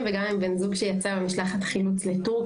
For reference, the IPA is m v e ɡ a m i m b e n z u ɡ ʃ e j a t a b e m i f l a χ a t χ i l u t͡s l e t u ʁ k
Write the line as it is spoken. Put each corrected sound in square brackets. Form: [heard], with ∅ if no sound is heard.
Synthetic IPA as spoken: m v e ɡ a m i m b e n z u ɡ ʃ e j a [t͡s] a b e m i [ʃ] l a χ a t χ i l u t͡s l e t u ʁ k